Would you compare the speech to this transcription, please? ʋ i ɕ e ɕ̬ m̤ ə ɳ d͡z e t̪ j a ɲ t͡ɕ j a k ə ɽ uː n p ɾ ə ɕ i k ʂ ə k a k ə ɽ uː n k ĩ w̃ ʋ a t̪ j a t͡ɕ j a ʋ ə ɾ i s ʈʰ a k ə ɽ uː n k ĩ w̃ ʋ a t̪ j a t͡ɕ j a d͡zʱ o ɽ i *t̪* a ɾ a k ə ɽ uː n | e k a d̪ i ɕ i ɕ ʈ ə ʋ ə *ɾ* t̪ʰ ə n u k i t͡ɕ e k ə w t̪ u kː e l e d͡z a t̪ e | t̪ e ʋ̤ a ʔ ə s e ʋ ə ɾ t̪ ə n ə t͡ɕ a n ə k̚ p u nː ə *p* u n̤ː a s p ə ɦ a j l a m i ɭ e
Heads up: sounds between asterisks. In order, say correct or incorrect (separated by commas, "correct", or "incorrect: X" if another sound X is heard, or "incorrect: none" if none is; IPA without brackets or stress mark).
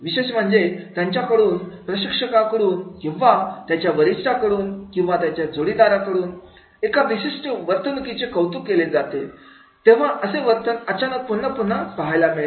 incorrect: d̪, correct, correct